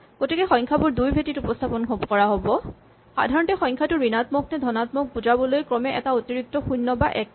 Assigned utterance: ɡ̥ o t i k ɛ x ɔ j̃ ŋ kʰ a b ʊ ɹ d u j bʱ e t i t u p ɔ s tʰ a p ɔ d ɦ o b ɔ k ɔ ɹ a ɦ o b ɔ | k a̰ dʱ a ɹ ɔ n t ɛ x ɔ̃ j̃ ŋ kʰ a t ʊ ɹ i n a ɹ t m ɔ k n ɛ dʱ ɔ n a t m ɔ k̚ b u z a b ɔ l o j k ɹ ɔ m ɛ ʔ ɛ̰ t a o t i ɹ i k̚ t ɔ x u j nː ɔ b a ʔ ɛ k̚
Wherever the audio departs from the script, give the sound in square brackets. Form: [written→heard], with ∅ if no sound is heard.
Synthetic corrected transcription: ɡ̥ o t i k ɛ x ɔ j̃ ŋ kʰ a b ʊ ɹ d u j bʱ e t i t u p ɔ s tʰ a p ɔ [d→n] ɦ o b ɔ k ɔ ɹ a ɦ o b ɔ | [k→x] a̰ dʱ a ɹ ɔ n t ɛ x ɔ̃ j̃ ŋ kʰ a t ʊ ɹ i n a [ɹ→∅] t m ɔ k n ɛ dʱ ɔ n a t m ɔ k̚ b u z a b ɔ l o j k ɹ ɔ m ɛ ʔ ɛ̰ t a o t i ɹ i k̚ t ɔ x u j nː ɔ b a ʔ ɛ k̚

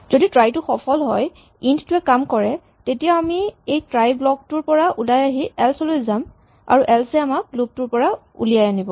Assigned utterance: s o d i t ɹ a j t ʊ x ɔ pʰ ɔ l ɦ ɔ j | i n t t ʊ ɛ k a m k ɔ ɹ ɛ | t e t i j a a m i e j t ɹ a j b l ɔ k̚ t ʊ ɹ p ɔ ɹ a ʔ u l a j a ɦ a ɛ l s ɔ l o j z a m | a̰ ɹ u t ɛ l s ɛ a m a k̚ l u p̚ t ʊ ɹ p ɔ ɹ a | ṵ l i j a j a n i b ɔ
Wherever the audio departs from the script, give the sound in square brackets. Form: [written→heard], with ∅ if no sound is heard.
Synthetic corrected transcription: [s→z] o d i t ɹ a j t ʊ x ɔ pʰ ɔ l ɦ ɔ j | i n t t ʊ ɛ k a m k ɔ ɹ ɛ | t e t i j a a m i e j t ɹ a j b l ɔ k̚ t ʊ ɹ p ɔ ɹ a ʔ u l a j a ɦ [a→i] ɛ l s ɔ l o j z a m | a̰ ɹ u [t→ʔ] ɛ l s ɛ a m a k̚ l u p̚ t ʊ ɹ p ɔ ɹ a | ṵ l i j a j a n i b ɔ

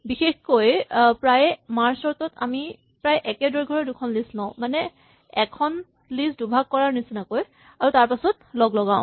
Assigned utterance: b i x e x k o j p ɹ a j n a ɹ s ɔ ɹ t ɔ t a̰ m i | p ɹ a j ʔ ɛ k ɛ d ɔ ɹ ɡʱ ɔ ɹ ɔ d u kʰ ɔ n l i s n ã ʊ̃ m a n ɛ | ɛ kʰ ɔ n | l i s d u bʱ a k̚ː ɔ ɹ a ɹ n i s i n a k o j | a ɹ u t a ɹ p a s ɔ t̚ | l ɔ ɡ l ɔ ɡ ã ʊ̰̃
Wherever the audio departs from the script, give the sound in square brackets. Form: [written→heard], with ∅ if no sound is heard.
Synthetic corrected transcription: b i x e x k o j p ɹ a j [n→m] a ɹ s ɔ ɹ t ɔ t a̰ m i | p ɹ a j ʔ ɛ k ɛ d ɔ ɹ ɡʱ ɔ ɹ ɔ d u kʰ ɔ n l i s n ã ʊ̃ m a n ɛ | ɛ kʰ ɔ n | l i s d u bʱ a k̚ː ɔ ɹ a ɹ n i s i n a k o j | a ɹ u t a ɹ p a s ɔ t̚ | l ɔ ɡ l ɔ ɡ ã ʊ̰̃

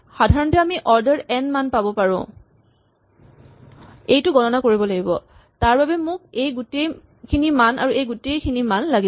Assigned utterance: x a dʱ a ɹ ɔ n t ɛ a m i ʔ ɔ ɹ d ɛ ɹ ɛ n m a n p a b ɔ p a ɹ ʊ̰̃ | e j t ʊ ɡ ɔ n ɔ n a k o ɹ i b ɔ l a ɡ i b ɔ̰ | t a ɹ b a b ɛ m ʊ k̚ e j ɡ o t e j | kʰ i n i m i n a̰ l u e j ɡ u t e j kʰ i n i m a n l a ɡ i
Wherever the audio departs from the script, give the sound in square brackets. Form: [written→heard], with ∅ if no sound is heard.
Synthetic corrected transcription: x a dʱ a ɹ ɔ n t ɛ a m i ʔ ɔ ɹ d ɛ ɹ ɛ n m a n p a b ɔ p a ɹ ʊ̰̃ | e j t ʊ ɡ ɔ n ɔ n a k o ɹ i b ɔ l a ɡ i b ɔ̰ | t a ɹ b a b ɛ m ʊ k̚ e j ɡ [o→u] t e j | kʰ i n i m [i→a] n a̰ [l→ɹ] u e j ɡ u t e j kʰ i n i m a n l a ɡ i

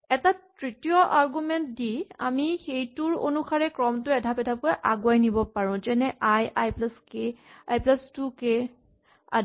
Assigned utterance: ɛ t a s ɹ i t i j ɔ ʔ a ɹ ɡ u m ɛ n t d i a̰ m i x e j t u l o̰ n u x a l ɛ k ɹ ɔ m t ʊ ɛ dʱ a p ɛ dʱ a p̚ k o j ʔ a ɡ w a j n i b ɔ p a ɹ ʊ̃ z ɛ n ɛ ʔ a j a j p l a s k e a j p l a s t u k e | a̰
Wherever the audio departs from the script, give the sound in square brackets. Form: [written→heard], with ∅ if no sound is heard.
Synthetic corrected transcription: ɛ t a [s→t] ɹ i t i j ɔ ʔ a ɹ ɡ u m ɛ n t d i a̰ m i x e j t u [l→ɹ] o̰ n u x a [l→ɹ] ɛ k ɹ ɔ m t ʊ ɛ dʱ a p ɛ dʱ a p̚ k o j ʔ a ɡ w a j n i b ɔ p a ɹ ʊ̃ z ɛ n ɛ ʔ a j a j p l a s k e a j p l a s t u k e | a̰

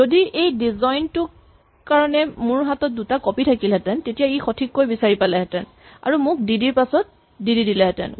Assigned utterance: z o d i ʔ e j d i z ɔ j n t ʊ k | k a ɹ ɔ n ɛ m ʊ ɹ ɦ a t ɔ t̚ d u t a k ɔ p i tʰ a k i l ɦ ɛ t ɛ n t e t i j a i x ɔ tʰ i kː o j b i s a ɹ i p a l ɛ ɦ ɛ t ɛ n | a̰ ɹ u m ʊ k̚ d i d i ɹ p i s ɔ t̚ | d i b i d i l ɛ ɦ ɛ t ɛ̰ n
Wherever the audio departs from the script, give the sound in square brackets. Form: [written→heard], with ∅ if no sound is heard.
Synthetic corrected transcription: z o d i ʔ e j d i z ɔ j n t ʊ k | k a ɹ ɔ n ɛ m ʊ ɹ ɦ a t ɔ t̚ d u t a k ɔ p i tʰ a k i l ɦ ɛ t ɛ n t e t i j a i x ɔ tʰ i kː o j b i s a ɹ i p a l ɛ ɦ ɛ t ɛ n | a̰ ɹ u m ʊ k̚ d i d i ɹ p [i→a] s ɔ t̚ | d i [b→d] i d i l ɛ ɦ ɛ t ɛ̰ n

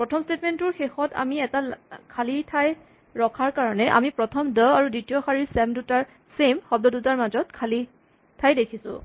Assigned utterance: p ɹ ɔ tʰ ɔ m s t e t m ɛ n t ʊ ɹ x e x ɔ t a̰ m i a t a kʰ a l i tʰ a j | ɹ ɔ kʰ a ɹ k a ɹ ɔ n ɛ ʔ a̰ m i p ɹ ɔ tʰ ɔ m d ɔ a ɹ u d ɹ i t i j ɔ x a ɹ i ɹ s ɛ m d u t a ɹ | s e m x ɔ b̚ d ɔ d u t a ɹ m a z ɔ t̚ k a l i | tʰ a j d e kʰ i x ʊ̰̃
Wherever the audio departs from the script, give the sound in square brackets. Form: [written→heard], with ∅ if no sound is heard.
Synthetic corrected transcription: p ɹ ɔ tʰ ɔ m s t e t m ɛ n t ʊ ɹ x e x ɔ t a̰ m i [a→ɛ] t a kʰ a l i tʰ a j | ɹ ɔ kʰ a ɹ k a ɹ ɔ n ɛ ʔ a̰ m i p ɹ ɔ tʰ ɔ m d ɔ a ɹ u d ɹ i t i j ɔ x a ɹ i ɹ s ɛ m d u t a ɹ | s e m x ɔ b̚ d ɔ d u t a ɹ m a z ɔ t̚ [k→kʰ] a l i | tʰ a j d e kʰ i [x→s] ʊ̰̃

